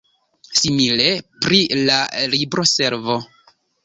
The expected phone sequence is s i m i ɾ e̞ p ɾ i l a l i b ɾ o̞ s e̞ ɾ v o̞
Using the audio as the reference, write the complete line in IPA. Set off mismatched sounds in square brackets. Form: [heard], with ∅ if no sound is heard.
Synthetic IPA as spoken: s i m i [l] e̞ p ɾ i l a l i b ɾ o̞ s e̞ ɾ v o̞